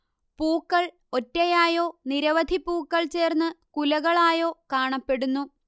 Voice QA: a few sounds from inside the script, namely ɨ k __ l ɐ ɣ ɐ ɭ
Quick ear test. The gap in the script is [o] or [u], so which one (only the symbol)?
u